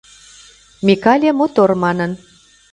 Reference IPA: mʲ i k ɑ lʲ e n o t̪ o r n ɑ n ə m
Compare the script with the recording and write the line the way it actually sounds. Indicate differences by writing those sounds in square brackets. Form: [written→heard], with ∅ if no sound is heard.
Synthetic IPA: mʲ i k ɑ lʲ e [n→m] o t̪ o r [n→m] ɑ n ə [m→n]

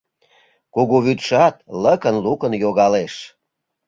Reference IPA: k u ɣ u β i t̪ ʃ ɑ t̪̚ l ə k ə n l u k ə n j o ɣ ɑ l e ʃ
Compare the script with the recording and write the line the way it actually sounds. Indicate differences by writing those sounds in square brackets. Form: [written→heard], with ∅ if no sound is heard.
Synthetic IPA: k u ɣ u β [i→y] t̪ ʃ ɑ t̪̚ l ə k ə n l u k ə n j o ɣ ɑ l e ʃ

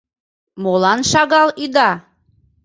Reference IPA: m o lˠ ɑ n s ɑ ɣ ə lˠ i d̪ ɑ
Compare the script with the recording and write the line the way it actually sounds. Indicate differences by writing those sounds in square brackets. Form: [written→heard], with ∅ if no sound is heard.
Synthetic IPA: m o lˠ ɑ n [s→ʃ] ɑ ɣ [ə→ɑ] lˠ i d̪ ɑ

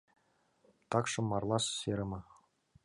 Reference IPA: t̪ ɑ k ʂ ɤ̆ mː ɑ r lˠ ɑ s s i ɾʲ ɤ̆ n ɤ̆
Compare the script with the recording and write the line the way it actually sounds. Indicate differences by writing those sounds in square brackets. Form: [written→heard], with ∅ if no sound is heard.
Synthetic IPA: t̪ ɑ k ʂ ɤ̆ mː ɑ r lˠ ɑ s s [i→e] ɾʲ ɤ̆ [n→m] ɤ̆

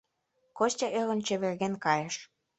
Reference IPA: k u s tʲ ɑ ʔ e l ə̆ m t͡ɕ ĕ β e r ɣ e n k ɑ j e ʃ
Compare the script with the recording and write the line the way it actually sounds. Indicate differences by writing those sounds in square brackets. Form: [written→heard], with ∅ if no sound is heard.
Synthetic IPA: k [u→o] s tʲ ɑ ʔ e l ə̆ [m→n] t͡ɕ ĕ β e r ɣ e n k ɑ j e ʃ

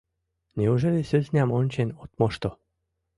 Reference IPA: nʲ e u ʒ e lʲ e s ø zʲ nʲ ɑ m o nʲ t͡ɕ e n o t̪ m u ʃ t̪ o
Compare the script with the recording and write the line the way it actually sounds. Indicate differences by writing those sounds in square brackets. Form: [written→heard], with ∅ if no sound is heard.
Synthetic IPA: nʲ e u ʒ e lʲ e s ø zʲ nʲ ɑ m o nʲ t͡ɕ e n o t̪ m [u→o] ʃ t̪ o

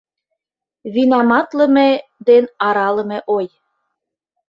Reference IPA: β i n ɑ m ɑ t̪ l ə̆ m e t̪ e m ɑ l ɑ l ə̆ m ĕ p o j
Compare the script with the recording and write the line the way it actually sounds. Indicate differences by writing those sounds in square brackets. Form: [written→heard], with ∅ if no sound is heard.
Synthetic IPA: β i n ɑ m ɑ t̪ l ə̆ m e [t̪→d̪] e [m→n] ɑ [l→ɾ] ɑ l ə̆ m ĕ [p→ʔ] o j

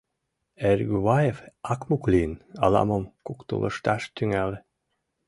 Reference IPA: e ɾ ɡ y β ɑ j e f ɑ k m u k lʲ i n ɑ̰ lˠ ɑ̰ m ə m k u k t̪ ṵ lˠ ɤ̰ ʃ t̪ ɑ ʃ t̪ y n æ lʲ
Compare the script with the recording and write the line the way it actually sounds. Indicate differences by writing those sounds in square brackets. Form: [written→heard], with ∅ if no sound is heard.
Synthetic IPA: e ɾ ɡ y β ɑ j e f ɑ k m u k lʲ i n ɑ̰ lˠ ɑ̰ m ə m k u k t̪ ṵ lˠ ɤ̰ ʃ t̪ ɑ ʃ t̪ y [n→ŋ] æ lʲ

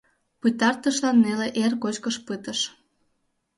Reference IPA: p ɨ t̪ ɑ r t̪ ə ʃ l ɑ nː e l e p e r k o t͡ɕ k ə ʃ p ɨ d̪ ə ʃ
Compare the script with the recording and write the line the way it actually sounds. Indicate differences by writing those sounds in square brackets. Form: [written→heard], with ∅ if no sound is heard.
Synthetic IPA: p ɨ t̪ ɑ r t̪ ə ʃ l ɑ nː e l e [p→ʔ] e r k o t͡ɕ k ə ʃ p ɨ [d̪→t̪] ə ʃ

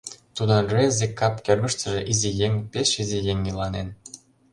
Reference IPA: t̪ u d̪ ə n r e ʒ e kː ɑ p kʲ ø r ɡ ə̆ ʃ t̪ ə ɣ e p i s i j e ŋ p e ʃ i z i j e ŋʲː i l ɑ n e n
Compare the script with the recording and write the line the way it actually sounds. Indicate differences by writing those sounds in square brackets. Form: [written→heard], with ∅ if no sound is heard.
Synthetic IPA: t̪ u d̪ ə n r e [ʒ→z] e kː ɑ p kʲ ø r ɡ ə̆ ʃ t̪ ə [ɣ→ʒ] e [p→ʔ] i [s→z] i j e ŋ p e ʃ i z i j e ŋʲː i l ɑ n e n

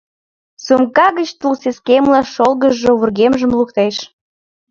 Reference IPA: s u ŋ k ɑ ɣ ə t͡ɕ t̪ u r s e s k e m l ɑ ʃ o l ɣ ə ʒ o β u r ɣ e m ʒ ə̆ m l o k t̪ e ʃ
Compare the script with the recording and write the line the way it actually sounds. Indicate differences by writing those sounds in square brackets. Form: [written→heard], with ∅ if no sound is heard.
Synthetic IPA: s u [ŋ→m] k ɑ ɣ ə t͡ɕ t̪ u [r→l] s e s k e m l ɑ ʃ o l ɣ ə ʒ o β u r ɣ e m ʒ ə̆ m l [o→u] k t̪ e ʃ

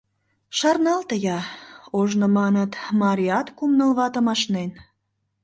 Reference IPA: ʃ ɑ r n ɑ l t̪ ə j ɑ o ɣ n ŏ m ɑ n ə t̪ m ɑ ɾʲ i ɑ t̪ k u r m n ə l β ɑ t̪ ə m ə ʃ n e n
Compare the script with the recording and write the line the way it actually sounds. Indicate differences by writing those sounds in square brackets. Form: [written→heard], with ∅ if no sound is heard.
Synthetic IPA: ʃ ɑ r n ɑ l t̪ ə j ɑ o [ɣ→ʒ] n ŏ m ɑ n ə t̪ m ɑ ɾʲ i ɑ t̪ k u [r→∅] m n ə l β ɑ t̪ ə m [ə→ɑ] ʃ n e n

